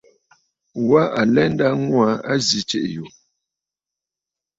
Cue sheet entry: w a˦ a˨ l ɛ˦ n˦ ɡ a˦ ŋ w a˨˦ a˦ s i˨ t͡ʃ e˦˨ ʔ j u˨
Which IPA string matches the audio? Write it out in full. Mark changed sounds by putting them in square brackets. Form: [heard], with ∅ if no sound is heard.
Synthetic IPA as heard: w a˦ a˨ l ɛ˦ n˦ [d] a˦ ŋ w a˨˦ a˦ [z] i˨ t͡ʃ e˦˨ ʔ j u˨